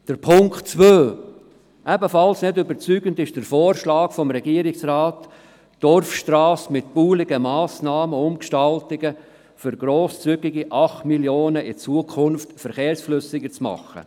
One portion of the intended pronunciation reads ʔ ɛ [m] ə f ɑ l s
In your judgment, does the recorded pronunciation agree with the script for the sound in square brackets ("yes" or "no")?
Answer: no